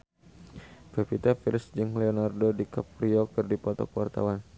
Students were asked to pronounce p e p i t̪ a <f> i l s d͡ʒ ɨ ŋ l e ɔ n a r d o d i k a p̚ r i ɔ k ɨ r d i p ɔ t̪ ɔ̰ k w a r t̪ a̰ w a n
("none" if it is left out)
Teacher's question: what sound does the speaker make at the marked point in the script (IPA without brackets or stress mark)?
f